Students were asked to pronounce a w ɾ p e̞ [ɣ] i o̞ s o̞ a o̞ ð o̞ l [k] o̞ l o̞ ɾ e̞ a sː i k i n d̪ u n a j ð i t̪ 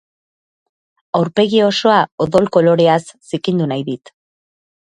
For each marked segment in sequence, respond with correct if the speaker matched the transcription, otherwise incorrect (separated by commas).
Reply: correct, correct